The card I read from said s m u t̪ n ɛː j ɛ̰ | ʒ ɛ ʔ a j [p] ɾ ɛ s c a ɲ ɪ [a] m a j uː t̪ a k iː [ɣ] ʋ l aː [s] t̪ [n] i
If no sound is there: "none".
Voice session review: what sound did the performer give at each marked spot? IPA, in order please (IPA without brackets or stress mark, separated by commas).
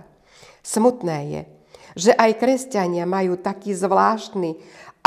k, a, z, ʃ, n